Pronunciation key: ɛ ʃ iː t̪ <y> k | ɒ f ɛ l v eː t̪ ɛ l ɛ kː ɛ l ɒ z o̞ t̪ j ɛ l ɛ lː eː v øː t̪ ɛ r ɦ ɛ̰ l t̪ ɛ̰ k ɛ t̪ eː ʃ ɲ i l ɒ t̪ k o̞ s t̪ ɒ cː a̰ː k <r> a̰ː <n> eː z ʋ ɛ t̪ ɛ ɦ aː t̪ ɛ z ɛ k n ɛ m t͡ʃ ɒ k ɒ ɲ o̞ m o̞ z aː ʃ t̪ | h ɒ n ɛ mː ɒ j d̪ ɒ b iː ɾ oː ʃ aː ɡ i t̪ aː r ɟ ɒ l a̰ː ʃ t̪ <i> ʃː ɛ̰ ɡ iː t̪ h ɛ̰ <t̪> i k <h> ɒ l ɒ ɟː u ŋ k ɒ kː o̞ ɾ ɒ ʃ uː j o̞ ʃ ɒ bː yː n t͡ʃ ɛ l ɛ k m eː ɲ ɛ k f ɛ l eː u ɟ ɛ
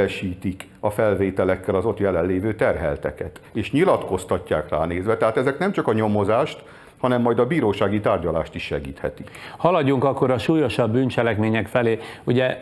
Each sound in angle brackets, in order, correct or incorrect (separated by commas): incorrect, correct, correct, correct, correct, correct